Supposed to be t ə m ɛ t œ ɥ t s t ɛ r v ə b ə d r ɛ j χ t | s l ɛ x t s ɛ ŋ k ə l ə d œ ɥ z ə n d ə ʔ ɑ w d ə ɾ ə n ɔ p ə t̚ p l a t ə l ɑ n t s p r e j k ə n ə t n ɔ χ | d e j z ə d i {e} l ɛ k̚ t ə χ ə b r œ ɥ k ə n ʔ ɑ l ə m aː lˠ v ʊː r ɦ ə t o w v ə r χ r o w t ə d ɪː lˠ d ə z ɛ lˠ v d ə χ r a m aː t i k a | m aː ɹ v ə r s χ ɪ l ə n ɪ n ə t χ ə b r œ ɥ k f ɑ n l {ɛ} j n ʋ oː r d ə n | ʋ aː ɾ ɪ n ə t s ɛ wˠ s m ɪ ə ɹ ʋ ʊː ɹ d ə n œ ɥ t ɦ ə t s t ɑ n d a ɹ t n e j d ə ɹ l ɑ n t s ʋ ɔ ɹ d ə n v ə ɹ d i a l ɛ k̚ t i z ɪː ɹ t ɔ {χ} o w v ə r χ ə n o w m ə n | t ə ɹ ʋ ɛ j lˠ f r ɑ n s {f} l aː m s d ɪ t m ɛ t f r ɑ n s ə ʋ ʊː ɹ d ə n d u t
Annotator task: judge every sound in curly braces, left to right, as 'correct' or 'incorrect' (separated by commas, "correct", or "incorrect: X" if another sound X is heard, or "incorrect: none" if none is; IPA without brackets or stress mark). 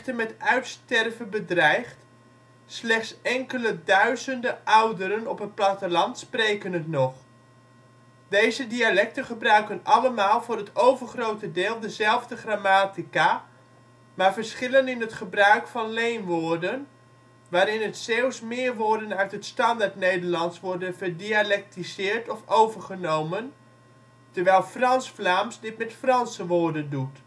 incorrect: a, incorrect: e, incorrect: f, correct